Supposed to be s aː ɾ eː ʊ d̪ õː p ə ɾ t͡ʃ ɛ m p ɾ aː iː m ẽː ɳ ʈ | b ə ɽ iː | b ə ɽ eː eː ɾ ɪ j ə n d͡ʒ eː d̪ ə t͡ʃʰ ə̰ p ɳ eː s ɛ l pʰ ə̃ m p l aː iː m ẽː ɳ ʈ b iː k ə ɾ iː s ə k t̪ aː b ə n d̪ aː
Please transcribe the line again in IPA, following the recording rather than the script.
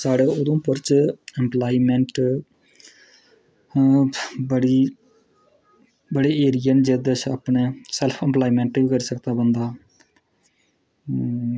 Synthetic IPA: s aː ɽ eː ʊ d̪ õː p ə ɾ t͡ʃ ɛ m p l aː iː m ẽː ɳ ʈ | b ə ɽ iː | b ə ɽ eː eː ɾ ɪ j ə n d͡ʒ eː d̪ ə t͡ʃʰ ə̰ p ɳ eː s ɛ l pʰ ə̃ m p l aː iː m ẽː ɳ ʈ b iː k ə ɾ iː s ə k t̪ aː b ə n d̪ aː